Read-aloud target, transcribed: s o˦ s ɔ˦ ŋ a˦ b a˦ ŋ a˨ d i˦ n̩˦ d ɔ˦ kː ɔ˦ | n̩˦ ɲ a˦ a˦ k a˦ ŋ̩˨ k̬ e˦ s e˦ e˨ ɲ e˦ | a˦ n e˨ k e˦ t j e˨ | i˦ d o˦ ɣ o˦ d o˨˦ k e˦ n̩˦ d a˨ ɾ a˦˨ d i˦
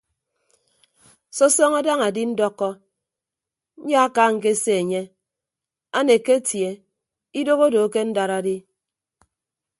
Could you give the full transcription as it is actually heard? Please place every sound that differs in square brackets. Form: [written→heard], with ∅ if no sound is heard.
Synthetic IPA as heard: s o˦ s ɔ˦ ŋ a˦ [b→d] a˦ ŋ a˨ d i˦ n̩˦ d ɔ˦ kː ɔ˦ | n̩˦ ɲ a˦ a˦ k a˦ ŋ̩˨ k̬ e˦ s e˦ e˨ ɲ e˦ | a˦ n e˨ k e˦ t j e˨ | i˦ d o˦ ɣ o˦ d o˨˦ k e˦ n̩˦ d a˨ ɾ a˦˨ d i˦